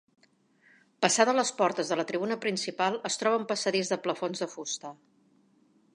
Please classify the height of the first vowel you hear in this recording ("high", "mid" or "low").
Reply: mid